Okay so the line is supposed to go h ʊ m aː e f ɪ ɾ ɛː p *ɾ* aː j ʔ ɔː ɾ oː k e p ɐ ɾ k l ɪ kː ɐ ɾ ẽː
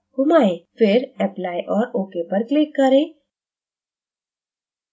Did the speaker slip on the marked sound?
yes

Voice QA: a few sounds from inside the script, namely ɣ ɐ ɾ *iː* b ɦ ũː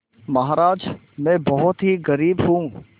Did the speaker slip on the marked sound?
no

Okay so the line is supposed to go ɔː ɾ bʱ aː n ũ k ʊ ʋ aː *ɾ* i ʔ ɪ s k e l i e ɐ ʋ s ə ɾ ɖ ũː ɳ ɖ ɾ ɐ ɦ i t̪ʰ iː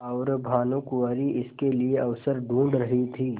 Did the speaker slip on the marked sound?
no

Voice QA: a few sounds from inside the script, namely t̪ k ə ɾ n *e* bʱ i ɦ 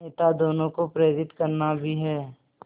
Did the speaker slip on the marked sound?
yes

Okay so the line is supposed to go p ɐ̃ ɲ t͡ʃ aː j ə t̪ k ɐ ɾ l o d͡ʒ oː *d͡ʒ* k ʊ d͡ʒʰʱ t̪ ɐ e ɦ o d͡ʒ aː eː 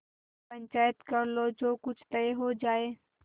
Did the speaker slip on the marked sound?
yes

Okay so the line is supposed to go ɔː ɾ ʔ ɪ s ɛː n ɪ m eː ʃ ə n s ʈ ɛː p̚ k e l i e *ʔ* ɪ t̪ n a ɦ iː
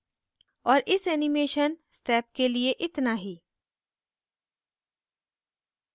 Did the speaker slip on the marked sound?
no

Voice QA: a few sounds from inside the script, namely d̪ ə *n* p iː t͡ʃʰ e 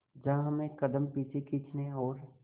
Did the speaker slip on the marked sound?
yes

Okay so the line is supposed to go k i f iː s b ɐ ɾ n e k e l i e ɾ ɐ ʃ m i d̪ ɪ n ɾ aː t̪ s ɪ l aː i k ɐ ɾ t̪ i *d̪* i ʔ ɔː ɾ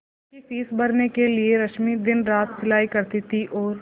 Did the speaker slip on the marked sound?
yes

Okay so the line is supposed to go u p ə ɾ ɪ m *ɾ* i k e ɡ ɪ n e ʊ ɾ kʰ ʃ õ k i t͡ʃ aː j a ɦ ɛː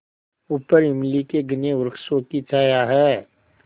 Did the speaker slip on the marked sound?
yes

